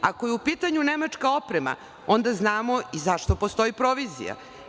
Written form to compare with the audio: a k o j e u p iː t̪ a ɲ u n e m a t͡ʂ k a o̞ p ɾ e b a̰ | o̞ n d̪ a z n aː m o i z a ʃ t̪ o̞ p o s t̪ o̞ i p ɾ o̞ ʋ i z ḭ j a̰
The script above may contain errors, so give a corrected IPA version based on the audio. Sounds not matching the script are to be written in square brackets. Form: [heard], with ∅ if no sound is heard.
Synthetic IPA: a k o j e u p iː t̪ a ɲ u n e m a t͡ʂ k a o̞ p ɾ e [m] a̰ | o̞ n d̪ a z n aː m o i z a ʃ t̪ o̞ p o s t̪ o̞ i p ɾ o̞ ʋ i z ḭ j a̰

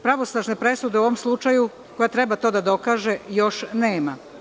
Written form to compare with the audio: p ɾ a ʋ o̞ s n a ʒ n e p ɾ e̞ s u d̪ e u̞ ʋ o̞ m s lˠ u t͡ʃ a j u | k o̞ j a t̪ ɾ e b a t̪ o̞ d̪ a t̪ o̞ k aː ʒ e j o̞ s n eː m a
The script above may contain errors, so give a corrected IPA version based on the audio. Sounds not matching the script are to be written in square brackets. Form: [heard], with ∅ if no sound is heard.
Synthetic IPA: p ɾ a ʋ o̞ s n a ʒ n e p ɾ e̞ s u d̪ e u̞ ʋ o̞ m s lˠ u t͡ʃ a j u | k o̞ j a t̪ ɾ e b a t̪ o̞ d̪ a [d̪] o̞ k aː ʒ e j o̞ [ʃ] n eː m a

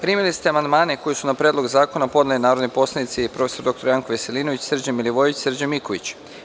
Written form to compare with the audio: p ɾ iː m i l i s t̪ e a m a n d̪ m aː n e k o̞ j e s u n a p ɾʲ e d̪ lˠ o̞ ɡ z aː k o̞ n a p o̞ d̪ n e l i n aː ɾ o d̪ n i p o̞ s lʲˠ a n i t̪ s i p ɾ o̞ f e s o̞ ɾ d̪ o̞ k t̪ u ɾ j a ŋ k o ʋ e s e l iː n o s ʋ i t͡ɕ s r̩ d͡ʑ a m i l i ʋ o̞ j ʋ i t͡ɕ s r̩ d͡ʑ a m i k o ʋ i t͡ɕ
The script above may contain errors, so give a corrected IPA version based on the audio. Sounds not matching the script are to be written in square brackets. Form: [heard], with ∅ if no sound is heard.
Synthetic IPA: p ɾ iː m i l i s t̪ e a m a n d̪ m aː n e k o̞ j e s u n a p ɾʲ e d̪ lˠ o̞ ɡ z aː k o̞ n a p o̞ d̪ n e l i n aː ɾ o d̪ n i p o̞ s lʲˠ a n i t̪ s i p ɾ o̞ f e s o̞ ɾ d̪ o̞ k t̪ [o] ɾ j a ŋ k o ʋ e s e l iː n o [∅] ʋ i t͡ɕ s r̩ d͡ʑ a m i l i ʋ o̞ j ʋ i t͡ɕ s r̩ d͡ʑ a m i k o ʋ i t͡ɕ

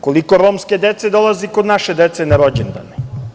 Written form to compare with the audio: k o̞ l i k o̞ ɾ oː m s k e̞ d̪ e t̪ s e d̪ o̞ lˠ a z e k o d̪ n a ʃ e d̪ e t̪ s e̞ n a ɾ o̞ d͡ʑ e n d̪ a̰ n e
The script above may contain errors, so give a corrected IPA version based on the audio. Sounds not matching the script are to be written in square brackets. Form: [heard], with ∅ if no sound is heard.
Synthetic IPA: k o̞ l i k o̞ ɾ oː m s k e̞ d̪ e t̪ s e d̪ o̞ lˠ a z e k o d̪ n a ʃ e d̪ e t̪ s e̞ n a ɾ o̞ d͡ʑ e n d̪ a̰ n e

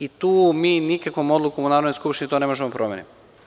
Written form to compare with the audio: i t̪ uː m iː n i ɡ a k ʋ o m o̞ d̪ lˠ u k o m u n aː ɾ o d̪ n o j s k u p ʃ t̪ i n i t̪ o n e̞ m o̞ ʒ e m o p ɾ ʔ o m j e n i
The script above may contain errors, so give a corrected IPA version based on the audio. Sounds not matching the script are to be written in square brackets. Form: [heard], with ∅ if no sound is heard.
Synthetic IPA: i t̪ uː m iː n i [k] a k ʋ o m o̞ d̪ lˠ u k o m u n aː ɾ o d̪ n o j s k u p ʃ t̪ i n i t̪ o n e̞ m o̞ ʒ e m o p ɾ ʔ o m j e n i

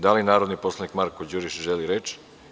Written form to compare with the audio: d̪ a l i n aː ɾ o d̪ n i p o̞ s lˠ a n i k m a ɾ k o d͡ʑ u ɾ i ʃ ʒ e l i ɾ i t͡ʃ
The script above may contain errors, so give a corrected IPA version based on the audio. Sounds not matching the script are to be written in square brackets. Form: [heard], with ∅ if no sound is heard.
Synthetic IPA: d̪ a l i n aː ɾ o d̪ n i p o̞ s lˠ a n i k m a ɾ k o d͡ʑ u ɾ i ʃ ʒ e l i ɾ [e] t͡ʃ

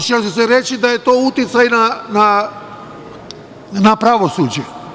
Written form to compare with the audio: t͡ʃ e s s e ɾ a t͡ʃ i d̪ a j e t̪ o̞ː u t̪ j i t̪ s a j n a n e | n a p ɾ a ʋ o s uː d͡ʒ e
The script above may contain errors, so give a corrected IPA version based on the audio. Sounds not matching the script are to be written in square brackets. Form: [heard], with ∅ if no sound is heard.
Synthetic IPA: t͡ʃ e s s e ɾ [e] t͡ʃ i d̪ a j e t̪ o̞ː u t̪ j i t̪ s a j n a n [a] | n a p ɾ a ʋ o s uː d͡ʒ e

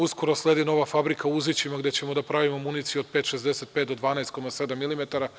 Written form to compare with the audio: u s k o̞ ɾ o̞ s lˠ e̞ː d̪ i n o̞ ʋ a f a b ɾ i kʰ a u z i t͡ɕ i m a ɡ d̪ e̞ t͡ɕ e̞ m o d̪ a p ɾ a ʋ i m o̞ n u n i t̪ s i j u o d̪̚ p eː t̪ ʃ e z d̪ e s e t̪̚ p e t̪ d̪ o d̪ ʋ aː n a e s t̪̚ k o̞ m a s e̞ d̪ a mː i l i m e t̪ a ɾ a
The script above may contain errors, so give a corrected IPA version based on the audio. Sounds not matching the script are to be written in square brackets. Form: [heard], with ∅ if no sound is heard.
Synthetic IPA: u s k o̞ ɾ o̞ s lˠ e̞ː d̪ i n o̞ ʋ a f a b ɾ i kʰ a u z i t͡ɕ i m a ɡ d̪ e̞ t͡ɕ e̞ m o d̪ a p ɾ a ʋ i m o̞ [m] u n i t̪ s i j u o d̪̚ p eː t̪ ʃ e z d̪ e s e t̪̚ p e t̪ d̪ o d̪ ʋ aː n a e s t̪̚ k o̞ m a s e̞ d̪ a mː i l i m e t̪ a ɾ a

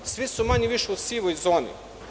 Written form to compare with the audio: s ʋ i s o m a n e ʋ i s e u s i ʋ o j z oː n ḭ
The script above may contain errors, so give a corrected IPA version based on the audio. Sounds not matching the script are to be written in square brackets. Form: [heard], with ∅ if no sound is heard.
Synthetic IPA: s ʋ i s [u] m a [ɲ] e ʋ i [ʃ] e u s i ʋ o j z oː n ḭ

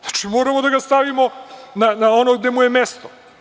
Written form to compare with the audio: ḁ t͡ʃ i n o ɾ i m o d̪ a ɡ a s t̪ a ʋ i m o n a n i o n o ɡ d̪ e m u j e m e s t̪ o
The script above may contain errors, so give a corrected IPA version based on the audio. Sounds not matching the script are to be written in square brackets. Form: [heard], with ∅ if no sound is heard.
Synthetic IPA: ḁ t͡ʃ i [m] o ɾ [a] m o d̪ a ɡ a s t̪ a ʋ i m o n a n [a] o n o ɡ d̪ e m u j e m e s t̪ o

